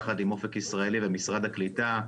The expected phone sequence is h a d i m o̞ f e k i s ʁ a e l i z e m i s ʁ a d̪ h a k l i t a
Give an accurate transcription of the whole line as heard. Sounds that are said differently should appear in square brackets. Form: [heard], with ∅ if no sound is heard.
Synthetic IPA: [χ] a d i m o̞ f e k i s ʁ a e l i [v] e m i s ʁ a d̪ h a k l i t a